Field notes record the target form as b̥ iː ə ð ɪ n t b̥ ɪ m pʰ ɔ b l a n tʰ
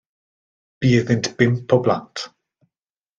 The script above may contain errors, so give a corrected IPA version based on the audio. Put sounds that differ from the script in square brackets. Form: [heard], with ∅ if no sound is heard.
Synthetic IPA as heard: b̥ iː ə ð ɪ n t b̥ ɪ m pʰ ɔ b l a n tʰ